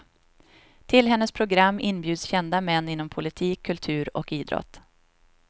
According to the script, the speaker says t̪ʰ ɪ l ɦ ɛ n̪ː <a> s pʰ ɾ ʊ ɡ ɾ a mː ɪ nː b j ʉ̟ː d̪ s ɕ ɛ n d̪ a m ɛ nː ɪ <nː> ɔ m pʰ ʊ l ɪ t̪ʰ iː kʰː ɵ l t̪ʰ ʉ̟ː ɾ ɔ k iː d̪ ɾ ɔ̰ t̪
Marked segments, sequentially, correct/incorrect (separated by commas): incorrect, correct